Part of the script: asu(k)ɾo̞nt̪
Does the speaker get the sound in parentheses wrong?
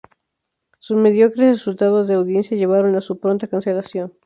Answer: yes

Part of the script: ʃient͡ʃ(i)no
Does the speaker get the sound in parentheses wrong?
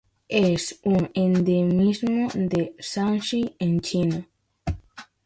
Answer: no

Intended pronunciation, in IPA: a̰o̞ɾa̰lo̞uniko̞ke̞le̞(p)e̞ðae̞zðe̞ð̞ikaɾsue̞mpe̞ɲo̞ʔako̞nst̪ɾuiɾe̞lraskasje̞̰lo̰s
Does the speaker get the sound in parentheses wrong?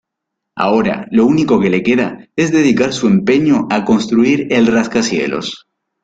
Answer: yes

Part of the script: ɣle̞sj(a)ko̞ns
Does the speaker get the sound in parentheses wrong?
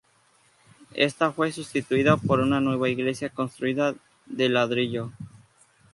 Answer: no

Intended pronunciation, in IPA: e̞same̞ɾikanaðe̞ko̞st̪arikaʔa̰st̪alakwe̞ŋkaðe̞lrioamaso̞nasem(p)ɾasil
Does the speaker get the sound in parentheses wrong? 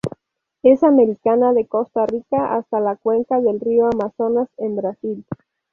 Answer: yes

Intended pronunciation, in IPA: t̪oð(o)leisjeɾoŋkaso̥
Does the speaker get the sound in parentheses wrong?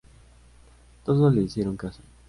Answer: no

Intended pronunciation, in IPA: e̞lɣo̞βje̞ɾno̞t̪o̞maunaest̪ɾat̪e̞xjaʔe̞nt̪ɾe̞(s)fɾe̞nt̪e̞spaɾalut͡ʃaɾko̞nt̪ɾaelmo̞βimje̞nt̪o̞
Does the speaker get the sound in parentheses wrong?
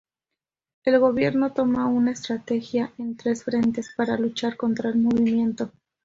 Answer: no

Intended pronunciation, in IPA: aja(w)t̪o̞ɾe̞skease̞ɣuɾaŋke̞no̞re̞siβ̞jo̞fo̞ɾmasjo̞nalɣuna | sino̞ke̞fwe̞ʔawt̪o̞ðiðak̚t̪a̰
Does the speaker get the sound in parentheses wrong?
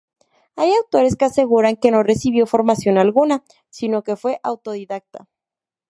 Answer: no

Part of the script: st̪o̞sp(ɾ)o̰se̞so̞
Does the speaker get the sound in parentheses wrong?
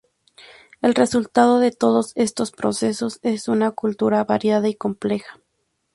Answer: no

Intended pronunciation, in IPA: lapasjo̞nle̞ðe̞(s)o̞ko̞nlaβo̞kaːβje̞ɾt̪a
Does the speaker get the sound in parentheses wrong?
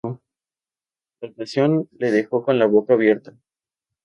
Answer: yes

